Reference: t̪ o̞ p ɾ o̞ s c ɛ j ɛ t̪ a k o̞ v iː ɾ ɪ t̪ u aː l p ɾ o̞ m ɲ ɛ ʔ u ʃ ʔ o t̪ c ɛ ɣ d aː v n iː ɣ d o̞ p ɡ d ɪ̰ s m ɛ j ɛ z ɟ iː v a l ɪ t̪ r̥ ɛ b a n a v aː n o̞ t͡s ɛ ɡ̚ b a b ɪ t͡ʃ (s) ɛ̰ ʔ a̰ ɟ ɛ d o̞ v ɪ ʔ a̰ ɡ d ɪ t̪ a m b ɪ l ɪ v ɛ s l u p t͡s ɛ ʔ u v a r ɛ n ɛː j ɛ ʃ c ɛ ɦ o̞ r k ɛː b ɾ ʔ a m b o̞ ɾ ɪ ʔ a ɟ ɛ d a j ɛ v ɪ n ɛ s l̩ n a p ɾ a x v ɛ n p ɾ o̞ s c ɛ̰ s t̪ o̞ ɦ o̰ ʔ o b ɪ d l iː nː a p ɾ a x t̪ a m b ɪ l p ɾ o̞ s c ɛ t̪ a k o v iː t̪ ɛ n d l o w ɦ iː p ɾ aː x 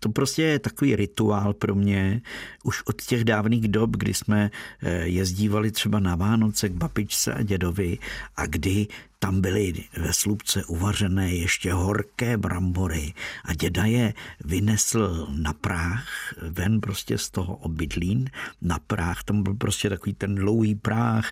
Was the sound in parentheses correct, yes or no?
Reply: no